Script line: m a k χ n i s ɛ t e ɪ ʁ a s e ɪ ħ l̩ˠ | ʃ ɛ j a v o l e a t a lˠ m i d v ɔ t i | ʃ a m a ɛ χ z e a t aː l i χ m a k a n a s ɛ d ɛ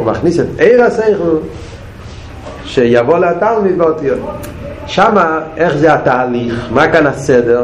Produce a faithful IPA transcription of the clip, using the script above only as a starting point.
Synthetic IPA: m a χ n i s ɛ t e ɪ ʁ a s e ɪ χ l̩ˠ | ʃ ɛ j a v o l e a t a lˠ m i d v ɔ t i | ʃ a m a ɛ χ z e a t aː l i χ m a k a n a s ɛ d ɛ